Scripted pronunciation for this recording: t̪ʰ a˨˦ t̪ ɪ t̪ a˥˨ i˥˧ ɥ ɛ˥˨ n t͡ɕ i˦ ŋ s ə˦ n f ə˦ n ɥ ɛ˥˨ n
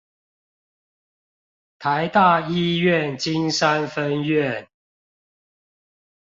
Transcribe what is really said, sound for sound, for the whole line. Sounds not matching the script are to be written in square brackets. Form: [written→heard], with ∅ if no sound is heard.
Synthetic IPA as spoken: t̪ʰ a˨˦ [t̪→∅] ɪ t̪ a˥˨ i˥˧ ɥ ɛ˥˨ n t͡ɕ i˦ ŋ s [ə˦→a˦] n f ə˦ n ɥ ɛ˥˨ n